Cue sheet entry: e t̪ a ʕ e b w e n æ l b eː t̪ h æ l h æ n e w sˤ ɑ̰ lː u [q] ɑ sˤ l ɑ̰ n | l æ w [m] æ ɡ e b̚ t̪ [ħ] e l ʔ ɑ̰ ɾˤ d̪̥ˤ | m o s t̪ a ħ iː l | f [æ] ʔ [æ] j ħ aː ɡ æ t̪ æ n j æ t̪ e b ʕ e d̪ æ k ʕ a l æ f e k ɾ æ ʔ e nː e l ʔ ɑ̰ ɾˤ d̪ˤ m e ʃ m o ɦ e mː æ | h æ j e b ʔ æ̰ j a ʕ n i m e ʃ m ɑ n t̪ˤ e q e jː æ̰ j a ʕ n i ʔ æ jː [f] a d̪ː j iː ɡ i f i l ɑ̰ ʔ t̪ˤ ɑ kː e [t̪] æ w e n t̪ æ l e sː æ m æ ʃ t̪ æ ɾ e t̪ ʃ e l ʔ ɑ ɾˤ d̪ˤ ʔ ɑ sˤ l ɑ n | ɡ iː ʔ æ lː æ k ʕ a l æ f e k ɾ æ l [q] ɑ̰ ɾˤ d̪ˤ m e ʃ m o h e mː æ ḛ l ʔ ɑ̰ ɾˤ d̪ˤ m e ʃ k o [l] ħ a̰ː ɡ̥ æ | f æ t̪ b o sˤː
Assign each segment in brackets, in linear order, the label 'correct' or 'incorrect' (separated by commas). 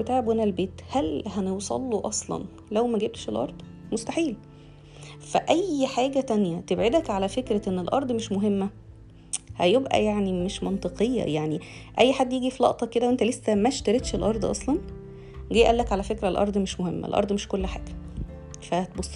incorrect, correct, incorrect, correct, correct, incorrect, incorrect, incorrect, incorrect